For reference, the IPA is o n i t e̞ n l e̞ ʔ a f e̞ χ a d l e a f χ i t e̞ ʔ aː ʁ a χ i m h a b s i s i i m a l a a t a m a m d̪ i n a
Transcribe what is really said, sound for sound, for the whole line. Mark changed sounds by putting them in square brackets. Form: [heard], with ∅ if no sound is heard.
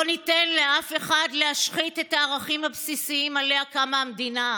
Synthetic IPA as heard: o n i t e̞ n l e̞ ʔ a f e̞ χ a d l e a [ʃ] χ i t e̞ [t] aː ʁ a χ i m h a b s i s i i m a l [e] a [k] a m a m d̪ i n a